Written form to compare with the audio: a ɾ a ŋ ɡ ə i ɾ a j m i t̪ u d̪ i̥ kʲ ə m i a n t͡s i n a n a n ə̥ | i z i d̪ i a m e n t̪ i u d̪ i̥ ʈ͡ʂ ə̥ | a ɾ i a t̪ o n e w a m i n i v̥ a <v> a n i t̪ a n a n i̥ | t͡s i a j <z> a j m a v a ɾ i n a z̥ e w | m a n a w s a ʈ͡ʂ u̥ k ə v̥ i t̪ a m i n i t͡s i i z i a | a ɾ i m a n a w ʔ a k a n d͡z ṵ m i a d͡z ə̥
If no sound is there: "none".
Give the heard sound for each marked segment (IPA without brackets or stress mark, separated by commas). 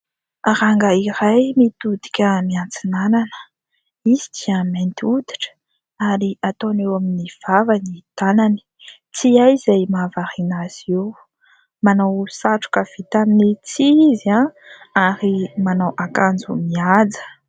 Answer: v, z